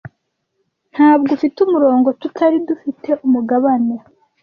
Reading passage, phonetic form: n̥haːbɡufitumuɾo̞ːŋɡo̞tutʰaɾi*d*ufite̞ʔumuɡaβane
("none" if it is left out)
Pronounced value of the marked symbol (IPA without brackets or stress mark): d